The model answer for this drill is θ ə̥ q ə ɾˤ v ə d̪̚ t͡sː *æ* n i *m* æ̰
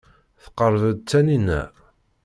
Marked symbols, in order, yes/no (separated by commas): yes, no